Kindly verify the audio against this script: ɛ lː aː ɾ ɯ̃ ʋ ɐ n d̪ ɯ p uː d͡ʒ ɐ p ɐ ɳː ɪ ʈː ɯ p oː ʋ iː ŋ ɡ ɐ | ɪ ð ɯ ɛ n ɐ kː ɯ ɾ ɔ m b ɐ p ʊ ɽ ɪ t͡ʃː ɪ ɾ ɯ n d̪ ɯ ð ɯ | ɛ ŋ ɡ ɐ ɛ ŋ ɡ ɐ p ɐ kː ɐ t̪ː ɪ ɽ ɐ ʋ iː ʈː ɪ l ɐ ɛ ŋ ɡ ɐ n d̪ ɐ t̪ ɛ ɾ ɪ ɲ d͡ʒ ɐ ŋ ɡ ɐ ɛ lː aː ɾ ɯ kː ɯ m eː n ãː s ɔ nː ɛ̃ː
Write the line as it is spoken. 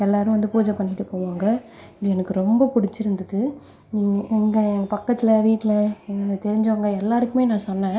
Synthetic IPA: ɛ lː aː ɾ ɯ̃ ʋ ɐ n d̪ ɯ p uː d͡ʒ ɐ p ɐ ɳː ɪ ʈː ɯ p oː ʋ aː ŋ ɡ ɐ | ɪ ð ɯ ɛ n ɐ kː ɯ ɾ ɔ m b ɐ p ʊ ɽ ɪ t͡ʃː ɪ ɾ ɯ n d̪ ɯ ð ɯ | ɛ ŋ ɡ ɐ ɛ ŋ ɡ ɐ p ɐ kː ɐ t̪ː ɪ l ɐ ʋ iː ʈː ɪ l ɐ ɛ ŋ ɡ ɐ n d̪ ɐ t̪ ɛ ɾ ɪ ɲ d͡ʒ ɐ ŋ ɡ ɐ ɛ lː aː ɾ ɯ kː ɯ m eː n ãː s ɔ nː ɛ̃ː